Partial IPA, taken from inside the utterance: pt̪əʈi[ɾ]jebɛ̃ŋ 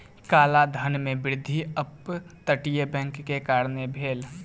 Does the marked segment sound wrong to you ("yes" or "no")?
yes